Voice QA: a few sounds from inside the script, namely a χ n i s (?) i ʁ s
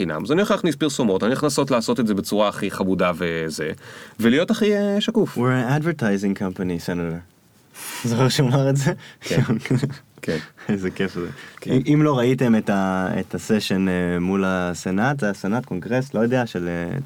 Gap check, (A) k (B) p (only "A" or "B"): B